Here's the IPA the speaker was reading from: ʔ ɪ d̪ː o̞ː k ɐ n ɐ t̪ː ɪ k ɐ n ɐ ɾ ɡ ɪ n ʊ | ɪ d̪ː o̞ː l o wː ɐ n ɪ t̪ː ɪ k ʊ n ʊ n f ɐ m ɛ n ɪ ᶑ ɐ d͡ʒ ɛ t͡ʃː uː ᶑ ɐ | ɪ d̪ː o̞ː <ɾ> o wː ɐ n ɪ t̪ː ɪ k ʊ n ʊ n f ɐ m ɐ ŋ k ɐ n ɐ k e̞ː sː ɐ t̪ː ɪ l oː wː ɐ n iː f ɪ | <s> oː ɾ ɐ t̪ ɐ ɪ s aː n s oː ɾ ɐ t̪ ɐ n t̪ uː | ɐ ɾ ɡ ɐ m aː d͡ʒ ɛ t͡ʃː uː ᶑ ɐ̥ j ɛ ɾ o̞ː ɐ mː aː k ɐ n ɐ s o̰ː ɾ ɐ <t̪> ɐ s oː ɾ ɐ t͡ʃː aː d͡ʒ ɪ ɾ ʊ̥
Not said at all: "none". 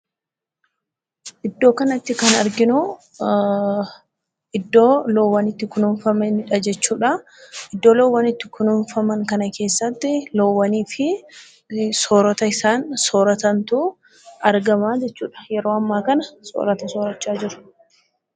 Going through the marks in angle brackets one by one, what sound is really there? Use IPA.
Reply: l, s, t̪

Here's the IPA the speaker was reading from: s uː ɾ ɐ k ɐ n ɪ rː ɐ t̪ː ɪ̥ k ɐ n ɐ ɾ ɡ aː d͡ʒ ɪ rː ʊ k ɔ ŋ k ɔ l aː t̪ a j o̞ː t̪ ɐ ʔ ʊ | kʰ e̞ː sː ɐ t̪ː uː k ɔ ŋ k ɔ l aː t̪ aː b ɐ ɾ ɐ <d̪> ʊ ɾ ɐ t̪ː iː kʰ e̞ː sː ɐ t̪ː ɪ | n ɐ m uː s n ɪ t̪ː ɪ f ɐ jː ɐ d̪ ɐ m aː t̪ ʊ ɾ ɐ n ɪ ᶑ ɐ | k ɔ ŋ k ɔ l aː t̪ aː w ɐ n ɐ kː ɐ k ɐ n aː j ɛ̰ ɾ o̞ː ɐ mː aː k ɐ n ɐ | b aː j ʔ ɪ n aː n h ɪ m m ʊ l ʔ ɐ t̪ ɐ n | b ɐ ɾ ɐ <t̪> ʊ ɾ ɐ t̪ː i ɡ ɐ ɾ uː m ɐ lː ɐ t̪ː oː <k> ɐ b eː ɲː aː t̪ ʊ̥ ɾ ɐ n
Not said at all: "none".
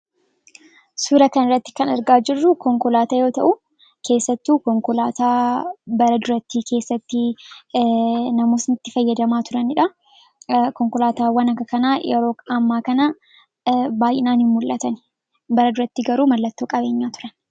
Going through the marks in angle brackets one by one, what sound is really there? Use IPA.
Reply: d̪, d̪, kʼ

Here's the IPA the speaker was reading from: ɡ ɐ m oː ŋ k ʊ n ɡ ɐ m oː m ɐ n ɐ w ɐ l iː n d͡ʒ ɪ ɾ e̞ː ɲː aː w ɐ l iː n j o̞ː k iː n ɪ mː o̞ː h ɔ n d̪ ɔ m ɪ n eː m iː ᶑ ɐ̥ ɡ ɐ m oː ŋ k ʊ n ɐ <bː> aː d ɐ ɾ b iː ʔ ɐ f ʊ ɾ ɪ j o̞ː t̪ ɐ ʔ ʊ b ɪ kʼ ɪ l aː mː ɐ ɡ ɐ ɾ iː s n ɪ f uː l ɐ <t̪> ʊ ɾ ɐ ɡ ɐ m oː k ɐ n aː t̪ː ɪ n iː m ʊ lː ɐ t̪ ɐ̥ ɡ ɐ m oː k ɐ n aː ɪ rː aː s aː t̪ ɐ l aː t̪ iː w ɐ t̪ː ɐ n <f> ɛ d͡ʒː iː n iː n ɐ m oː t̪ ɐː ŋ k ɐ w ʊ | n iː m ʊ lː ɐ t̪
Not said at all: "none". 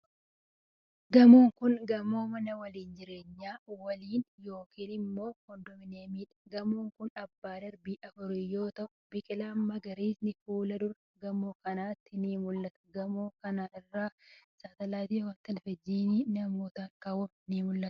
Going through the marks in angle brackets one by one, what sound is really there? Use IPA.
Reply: bː, d̪, f

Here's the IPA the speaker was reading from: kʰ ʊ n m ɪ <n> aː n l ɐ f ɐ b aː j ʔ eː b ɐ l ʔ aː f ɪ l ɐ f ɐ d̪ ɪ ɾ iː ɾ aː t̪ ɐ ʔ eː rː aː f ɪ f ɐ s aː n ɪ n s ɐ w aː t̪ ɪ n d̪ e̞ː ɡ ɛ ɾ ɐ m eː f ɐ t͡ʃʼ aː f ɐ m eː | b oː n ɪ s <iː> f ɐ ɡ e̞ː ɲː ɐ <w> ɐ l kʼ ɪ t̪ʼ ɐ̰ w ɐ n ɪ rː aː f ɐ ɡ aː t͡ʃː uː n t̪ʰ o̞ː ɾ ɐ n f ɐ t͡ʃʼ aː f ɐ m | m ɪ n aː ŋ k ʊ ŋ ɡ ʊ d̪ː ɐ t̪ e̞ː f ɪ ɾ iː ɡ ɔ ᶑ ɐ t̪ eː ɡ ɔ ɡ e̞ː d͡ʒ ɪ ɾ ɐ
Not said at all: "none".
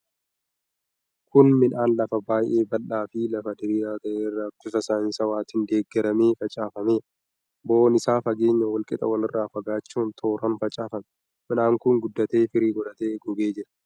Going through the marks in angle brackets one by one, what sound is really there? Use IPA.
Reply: n, aː, w

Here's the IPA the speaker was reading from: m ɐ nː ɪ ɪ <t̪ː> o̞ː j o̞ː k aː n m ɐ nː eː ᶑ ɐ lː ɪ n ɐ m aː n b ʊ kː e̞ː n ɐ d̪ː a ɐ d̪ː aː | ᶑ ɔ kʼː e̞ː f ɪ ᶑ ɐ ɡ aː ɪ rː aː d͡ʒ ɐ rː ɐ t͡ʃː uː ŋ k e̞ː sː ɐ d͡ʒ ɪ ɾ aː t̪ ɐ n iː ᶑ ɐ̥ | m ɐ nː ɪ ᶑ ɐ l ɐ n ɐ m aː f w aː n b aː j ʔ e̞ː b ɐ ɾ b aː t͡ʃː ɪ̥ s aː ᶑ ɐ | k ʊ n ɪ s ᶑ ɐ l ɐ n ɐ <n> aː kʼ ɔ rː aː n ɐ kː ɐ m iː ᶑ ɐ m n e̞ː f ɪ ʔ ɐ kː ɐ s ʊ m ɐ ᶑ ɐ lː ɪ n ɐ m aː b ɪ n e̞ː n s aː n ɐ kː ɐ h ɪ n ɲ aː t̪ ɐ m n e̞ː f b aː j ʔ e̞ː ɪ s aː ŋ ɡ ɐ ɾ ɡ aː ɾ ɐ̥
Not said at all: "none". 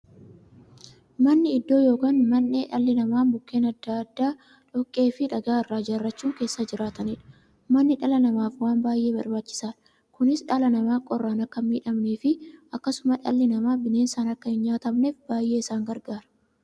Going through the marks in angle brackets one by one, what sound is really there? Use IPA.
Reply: d̪ː, m

